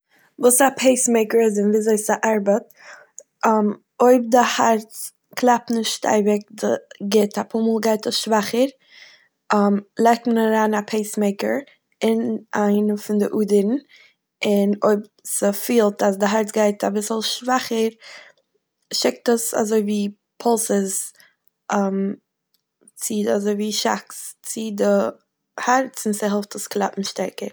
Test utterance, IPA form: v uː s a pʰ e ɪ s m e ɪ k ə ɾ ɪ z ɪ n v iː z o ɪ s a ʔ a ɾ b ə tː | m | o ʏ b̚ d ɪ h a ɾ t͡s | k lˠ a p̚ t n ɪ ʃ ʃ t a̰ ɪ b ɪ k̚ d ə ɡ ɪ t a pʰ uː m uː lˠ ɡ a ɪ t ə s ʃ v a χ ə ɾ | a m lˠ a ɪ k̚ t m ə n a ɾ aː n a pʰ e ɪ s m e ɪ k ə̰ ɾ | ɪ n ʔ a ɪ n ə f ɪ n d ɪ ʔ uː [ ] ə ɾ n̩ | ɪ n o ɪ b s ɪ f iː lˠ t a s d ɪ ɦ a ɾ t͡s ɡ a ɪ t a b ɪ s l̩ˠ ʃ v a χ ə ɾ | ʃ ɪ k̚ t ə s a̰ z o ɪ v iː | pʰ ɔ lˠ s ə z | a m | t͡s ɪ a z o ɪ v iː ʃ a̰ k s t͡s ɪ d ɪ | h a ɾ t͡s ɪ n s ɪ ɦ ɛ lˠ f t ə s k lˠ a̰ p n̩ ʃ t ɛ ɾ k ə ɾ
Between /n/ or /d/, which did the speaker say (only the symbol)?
d